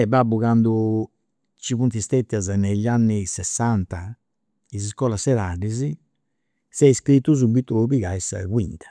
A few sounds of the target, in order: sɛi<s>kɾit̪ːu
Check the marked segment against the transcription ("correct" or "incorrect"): correct